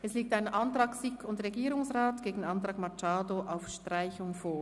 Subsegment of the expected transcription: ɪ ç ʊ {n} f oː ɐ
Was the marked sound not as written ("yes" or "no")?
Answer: yes